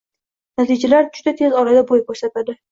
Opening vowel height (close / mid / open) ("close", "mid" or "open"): open